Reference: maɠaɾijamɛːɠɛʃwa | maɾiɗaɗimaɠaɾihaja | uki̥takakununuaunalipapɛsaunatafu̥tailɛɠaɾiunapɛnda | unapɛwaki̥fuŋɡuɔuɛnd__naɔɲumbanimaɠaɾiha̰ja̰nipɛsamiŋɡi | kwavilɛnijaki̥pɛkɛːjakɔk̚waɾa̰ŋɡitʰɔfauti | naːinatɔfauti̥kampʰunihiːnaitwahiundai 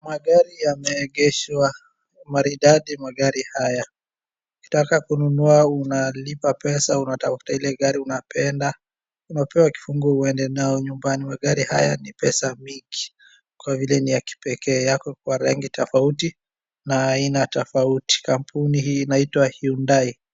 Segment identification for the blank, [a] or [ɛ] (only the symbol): ɛ